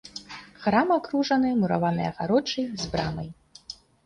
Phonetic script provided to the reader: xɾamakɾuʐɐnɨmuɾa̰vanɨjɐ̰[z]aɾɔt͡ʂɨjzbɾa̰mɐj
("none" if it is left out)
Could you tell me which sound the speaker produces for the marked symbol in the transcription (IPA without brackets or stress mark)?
ɣ